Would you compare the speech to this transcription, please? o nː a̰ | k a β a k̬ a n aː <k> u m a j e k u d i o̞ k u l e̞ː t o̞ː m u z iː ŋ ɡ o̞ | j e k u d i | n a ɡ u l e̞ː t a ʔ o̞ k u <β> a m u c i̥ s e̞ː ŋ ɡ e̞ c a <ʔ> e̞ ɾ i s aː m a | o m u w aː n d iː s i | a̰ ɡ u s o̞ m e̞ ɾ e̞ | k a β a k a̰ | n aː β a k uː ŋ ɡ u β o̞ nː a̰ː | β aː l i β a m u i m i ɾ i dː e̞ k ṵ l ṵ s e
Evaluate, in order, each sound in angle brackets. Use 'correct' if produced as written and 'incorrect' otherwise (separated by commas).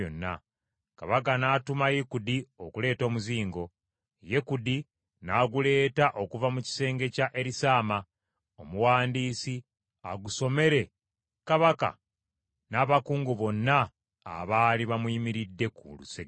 incorrect, incorrect, correct